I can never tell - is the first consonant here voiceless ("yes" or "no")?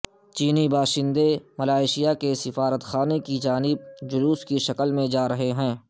yes